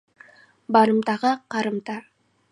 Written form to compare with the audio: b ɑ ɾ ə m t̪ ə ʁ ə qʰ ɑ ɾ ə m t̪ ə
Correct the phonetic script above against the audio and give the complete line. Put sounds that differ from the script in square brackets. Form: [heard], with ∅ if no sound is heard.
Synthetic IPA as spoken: b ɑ ɾ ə m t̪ [ɑ] ʁ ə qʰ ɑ ɾ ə m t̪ [ɑ]